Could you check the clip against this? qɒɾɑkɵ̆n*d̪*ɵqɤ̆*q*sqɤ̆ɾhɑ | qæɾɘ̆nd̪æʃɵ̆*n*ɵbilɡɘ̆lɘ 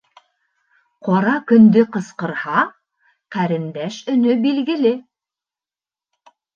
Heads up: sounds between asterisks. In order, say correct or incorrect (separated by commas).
correct, incorrect, correct